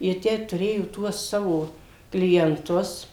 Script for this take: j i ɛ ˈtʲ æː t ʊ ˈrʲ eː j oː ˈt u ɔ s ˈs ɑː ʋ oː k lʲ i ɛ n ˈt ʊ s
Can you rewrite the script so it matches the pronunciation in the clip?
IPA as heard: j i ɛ ˈtʲ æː t ʊ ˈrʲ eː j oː ˈt u ɔ s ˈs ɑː ʋ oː k lʲ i ɛ n ˈt ʊ s